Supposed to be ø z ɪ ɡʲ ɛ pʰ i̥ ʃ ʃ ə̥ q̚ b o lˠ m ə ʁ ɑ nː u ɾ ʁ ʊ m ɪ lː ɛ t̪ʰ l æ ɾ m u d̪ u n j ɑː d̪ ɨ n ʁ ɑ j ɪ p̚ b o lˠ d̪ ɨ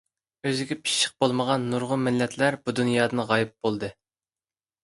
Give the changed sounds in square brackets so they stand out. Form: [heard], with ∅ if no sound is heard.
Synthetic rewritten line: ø z ɪ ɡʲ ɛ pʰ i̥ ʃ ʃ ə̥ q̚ b o lˠ m ə ʁ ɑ nː u ɾ ʁ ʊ m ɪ lː ɛ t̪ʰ l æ ɾ [b] u d̪ u n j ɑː d̪ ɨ n ʁ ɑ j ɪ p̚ b o lˠ d̪ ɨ